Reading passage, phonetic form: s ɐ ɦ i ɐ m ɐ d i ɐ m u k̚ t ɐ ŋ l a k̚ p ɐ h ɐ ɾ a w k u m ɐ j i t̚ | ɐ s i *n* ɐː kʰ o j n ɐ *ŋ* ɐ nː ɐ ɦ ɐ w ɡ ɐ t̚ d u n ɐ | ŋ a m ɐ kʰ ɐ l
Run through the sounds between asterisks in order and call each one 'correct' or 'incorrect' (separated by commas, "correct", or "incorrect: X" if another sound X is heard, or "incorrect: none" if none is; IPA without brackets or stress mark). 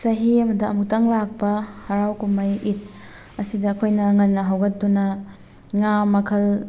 incorrect: d, correct